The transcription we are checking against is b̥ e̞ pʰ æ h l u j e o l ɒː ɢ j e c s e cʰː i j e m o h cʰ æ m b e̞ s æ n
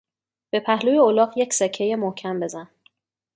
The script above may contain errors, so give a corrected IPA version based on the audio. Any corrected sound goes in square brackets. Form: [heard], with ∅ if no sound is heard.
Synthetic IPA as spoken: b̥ e̞ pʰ æ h l u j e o l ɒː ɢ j e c s e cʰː [e] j e m o h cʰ æ m b e̞ [z] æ n